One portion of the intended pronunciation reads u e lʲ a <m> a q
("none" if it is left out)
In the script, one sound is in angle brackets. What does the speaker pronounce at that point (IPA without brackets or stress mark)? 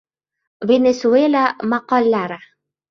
m